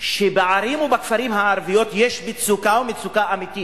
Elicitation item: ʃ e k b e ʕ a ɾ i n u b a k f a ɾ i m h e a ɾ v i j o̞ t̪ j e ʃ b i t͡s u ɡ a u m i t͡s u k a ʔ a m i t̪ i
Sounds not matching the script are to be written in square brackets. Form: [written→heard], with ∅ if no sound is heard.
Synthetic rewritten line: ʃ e [k→∅] b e ʕ a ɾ i [n→m] u b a k f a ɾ i m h [e→a] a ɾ v i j o̞ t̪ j e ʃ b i t͡s u [ɡ→k] a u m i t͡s u k a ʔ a m i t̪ i